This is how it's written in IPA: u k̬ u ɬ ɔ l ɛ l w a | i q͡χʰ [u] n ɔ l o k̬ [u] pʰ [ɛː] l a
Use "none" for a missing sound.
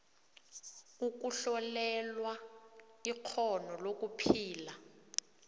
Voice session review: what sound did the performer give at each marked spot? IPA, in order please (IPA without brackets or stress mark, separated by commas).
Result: ɔ, u, iː